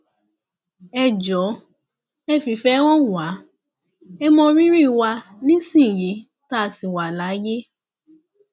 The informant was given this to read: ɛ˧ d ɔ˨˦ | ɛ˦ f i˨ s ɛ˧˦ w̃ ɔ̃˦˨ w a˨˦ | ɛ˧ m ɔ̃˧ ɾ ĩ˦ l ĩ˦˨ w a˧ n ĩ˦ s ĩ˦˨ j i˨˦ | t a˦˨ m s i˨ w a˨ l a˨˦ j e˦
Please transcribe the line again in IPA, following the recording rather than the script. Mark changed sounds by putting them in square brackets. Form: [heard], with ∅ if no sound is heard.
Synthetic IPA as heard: ɛ˧ [d͡ʒ] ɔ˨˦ | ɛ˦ f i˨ [f] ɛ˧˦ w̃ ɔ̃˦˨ w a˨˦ | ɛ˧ m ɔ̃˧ ɾ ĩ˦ [ɾ] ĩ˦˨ w a˧ n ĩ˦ s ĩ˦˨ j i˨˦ | t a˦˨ [∅] s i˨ w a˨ l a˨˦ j e˦

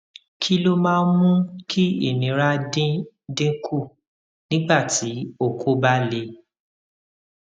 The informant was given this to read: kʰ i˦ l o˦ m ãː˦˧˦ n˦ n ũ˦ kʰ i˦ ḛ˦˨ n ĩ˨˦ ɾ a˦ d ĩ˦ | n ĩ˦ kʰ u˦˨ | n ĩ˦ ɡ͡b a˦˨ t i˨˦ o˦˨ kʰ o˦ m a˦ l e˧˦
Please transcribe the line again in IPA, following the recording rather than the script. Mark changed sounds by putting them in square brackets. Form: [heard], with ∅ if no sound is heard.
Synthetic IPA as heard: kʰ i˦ l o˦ m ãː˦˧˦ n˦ [m] ũ˦ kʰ i˦ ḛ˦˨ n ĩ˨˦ ɾ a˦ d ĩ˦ | [d] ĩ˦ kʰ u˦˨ | n ĩ˦ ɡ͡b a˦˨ t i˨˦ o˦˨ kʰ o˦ [b] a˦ l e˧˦

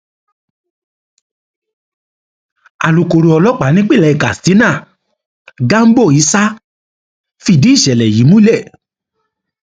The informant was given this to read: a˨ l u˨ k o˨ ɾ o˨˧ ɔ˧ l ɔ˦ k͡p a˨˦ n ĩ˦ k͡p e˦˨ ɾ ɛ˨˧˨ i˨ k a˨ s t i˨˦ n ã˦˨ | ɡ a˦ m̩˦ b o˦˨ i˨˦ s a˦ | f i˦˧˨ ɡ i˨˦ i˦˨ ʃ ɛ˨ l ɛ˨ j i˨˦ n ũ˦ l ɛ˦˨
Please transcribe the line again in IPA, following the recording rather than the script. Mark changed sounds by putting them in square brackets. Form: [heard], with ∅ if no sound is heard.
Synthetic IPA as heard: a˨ l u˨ k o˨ ɾ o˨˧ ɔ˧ l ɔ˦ k͡p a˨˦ n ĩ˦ k͡p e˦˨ [l] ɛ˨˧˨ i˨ k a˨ s t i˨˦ n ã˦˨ | ɡ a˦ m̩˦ b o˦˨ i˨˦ s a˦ | f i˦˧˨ [d] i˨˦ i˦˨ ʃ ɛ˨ l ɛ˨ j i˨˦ [m] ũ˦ l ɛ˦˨

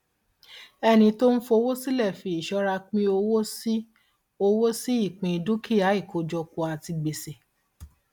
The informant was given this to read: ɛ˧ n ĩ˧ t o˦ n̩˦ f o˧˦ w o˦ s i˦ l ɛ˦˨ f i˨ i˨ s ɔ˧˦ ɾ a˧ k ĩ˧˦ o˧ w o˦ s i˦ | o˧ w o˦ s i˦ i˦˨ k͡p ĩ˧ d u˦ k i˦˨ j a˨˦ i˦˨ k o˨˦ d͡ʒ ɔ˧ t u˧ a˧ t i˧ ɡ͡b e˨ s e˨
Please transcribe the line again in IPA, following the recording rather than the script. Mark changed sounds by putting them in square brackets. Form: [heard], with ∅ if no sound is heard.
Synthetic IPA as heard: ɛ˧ n ĩ˧ t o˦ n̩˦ f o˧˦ w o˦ s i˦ l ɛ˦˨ f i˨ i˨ [ʃ] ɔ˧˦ ɾ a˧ [k͡p] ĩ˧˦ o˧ w o˦ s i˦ | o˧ w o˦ s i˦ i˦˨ k͡p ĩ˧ d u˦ k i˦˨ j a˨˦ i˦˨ k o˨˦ d͡ʒ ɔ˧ [k] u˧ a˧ t i˧ ɡ͡b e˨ s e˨

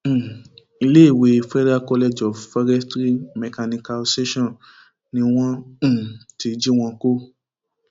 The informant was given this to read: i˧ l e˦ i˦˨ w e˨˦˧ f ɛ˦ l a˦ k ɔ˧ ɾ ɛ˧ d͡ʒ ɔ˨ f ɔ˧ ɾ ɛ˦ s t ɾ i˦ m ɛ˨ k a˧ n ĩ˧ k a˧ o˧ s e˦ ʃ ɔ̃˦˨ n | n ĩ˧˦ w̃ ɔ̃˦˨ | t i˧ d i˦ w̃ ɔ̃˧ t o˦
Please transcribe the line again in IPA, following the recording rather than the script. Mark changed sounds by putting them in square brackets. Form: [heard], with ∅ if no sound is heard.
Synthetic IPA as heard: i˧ l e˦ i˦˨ w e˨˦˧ f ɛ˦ [ɾ] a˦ k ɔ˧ [l] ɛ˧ d͡ʒ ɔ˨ f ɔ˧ ɾ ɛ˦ s t ɾ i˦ m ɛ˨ k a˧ n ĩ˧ k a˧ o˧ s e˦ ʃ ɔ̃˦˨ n | n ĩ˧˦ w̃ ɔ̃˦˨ | t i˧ [d͡ʒ] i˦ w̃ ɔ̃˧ [k] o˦

